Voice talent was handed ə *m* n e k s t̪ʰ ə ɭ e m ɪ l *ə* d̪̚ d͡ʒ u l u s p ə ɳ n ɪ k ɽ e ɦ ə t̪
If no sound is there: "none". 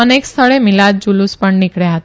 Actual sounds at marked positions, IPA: none, a

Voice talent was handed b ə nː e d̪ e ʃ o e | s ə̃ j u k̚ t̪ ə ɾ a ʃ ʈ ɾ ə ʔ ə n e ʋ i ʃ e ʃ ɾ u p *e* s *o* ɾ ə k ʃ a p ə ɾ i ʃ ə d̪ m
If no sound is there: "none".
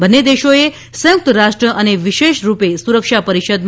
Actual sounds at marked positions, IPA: e, u

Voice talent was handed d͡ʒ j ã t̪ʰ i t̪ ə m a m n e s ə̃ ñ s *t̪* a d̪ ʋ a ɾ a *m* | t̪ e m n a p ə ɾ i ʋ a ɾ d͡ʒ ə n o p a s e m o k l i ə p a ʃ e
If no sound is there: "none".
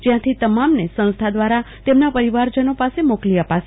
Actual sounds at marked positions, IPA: t̪ʰ, none

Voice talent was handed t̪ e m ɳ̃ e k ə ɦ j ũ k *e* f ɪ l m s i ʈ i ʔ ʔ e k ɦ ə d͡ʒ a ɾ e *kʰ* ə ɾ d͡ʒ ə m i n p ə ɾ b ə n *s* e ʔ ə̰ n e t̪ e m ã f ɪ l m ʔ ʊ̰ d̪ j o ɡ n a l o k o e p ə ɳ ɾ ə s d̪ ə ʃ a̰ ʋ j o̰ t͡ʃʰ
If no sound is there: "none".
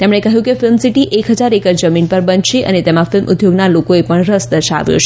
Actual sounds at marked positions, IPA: e, k, ʃ

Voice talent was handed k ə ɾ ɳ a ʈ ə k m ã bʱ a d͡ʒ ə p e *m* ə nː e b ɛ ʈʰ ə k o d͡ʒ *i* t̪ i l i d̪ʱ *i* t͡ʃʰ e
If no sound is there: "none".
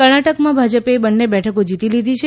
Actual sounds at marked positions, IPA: b, i, i

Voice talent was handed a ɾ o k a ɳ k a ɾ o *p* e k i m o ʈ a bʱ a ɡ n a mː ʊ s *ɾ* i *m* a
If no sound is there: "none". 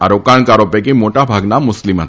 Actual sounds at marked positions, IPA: p, l, m

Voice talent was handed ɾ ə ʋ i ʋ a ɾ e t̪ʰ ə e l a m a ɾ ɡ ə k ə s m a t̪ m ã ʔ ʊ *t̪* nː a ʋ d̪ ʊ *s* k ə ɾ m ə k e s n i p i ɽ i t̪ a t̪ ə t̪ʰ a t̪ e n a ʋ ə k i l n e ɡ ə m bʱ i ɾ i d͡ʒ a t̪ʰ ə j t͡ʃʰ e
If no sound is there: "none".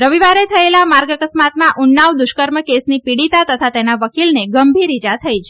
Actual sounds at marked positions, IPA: none, ʃ

